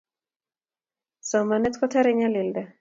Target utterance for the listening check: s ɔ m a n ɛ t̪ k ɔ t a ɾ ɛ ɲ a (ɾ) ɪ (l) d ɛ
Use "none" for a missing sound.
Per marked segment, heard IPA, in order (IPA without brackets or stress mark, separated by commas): l, l